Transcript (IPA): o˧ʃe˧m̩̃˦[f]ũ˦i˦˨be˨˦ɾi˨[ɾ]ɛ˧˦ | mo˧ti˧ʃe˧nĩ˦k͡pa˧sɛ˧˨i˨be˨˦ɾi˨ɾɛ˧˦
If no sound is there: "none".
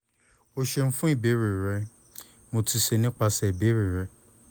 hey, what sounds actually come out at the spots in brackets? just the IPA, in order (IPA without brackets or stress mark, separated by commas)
f, ɾ